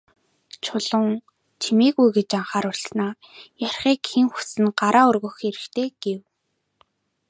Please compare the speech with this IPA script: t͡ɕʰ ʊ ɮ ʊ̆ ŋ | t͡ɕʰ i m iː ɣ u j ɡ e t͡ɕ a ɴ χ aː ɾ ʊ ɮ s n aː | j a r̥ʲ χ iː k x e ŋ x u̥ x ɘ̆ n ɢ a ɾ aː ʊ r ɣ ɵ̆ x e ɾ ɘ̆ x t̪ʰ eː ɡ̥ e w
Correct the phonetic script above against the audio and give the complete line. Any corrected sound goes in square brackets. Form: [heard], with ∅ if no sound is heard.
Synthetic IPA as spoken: t͡ɕʰ ʊ ɮ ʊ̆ ŋ | t͡ɕʰ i m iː ɣ u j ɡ e t͡ɕ a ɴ χ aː ɾ ʊ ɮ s n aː | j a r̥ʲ χ iː k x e ŋ x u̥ [s] ɘ̆ n ɢ a ɾ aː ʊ r ɣ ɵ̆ x e ɾ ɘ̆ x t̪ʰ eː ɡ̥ e w